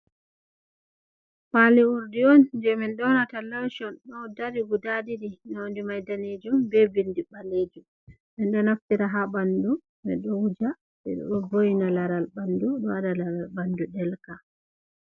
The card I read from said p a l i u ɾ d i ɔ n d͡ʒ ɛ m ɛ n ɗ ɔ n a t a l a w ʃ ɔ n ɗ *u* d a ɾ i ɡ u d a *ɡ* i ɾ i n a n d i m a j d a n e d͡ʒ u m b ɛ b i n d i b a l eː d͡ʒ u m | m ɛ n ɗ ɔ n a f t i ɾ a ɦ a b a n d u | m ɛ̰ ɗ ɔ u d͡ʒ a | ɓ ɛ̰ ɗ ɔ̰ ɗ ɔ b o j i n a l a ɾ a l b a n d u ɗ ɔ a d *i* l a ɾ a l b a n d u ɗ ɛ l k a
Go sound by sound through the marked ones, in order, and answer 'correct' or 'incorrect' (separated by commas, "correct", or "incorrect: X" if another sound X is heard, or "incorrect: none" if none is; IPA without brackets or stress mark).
incorrect: ɔ, incorrect: d, incorrect: a